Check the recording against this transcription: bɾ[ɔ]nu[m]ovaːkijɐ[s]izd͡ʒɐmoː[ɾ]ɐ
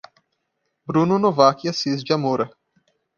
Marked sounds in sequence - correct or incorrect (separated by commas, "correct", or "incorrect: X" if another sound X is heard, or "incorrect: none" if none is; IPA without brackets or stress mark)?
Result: incorrect: u, incorrect: n, correct, correct